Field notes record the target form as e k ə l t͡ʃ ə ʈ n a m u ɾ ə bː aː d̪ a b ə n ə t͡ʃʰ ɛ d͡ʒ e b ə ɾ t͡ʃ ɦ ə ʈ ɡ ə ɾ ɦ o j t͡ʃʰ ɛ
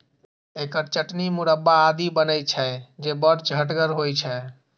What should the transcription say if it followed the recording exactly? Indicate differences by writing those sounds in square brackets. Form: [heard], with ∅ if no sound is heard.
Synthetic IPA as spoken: e k ə [ɾ] t͡ʃ ə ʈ n [i] m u ɾ ə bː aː d̪ [i] b ə n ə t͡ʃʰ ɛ d͡ʒ e b ə ɾ t͡ʃ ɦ ə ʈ ɡ ə ɾ ɦ o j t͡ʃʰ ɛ